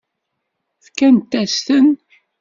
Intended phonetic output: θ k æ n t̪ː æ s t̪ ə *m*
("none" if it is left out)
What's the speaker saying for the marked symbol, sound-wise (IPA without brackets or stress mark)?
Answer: n